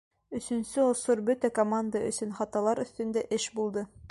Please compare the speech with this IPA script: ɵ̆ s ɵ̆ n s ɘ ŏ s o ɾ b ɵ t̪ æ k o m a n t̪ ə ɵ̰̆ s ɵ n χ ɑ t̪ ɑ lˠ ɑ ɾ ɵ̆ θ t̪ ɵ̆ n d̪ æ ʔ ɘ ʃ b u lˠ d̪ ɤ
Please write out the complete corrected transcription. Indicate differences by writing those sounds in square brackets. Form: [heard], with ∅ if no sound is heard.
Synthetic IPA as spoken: ɵ̆ s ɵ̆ n s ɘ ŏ s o ɾ b ɵ t̪ æ k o m a n [d̪] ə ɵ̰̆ s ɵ n χ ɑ t̪ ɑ lˠ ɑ ɾ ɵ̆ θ t̪ ɵ̆ n d̪ æ ʔ ɘ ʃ b u lˠ d̪ ɤ